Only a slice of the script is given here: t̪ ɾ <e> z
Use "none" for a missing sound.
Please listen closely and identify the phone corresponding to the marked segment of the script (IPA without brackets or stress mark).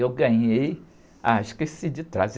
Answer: a